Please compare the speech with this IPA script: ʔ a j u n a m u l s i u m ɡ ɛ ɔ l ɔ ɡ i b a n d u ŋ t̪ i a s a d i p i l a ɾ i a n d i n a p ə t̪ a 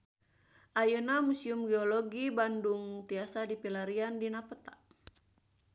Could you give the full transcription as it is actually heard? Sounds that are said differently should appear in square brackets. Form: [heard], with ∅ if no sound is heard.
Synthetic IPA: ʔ a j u n a m u [∅] s i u m ɡ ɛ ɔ l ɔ ɡ i b a n d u ŋ t̪ i a s a d i p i l a ɾ i a n d i n a p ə t̪ a